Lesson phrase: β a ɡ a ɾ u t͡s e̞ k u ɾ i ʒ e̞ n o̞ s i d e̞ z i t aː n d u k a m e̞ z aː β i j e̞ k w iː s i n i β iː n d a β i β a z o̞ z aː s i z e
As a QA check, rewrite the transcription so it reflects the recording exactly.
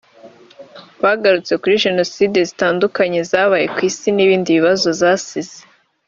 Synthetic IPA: β a ɡ a ɾ u t͡s e̞ k u ɾ i ʒ e̞ n o̞ s i d e̞ z i t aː n d u k a ɲ e̞ z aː β a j e̞ k w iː s i n i β iː n d i β i β a z o̞ z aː s i z e